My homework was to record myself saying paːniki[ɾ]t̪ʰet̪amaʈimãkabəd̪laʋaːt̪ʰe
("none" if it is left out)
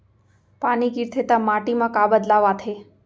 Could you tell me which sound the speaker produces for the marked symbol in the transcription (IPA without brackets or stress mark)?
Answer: ɾ